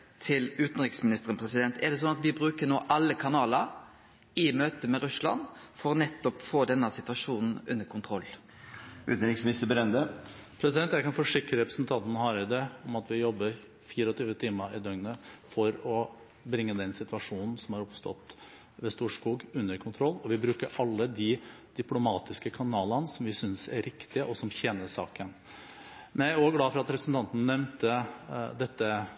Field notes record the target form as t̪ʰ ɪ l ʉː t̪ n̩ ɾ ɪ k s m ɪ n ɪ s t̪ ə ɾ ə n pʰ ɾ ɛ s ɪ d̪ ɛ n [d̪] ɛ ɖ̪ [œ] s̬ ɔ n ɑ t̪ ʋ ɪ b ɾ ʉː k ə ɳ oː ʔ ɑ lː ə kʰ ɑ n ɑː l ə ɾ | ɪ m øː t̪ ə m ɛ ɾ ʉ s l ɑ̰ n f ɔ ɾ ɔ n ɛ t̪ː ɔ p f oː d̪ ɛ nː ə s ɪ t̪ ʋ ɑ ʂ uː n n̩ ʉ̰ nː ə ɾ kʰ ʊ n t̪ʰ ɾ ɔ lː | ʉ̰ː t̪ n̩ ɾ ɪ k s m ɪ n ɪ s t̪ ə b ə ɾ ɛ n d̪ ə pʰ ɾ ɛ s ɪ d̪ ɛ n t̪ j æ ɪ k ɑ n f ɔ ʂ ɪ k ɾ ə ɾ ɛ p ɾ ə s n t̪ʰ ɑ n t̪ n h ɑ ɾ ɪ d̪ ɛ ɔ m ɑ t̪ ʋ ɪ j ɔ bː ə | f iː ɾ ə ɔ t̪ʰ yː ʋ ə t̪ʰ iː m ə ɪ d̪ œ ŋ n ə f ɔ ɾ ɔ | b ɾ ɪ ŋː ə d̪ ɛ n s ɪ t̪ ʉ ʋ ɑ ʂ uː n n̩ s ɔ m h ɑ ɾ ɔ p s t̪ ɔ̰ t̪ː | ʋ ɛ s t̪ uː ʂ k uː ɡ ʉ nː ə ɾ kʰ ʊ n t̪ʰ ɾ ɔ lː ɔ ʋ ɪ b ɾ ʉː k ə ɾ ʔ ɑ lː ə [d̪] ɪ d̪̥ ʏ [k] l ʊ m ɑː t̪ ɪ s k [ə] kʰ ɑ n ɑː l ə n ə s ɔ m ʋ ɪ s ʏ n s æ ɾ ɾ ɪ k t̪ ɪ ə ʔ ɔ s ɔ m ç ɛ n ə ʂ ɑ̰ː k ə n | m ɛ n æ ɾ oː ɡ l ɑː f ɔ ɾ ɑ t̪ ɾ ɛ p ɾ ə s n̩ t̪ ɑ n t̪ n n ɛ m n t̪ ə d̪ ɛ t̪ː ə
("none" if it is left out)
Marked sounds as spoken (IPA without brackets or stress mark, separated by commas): t̪, ɛ, d̪, p, ə